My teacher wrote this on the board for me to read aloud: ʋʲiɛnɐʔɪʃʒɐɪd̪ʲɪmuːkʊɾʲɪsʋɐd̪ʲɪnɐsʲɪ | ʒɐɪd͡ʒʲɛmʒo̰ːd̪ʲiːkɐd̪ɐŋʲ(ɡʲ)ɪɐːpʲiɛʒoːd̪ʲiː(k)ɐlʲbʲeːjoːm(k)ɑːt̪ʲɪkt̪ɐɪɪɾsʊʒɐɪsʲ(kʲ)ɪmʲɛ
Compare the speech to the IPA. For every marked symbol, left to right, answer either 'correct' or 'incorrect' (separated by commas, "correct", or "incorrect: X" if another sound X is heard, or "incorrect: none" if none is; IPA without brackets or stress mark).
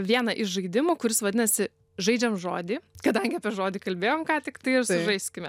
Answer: correct, correct, correct, correct